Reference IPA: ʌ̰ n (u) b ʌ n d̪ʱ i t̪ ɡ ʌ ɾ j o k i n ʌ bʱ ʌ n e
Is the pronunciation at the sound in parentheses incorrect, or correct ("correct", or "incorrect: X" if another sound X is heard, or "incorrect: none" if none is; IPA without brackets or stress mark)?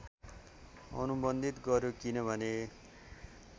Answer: correct